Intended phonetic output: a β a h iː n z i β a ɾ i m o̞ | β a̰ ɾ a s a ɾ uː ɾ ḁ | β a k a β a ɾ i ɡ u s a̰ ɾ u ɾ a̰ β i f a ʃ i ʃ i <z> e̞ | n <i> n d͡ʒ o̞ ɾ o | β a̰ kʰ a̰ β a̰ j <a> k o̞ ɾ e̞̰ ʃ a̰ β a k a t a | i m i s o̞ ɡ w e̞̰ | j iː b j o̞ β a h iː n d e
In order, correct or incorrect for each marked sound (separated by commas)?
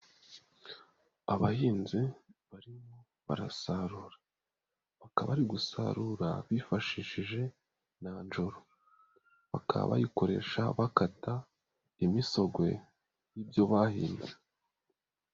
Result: incorrect, incorrect, incorrect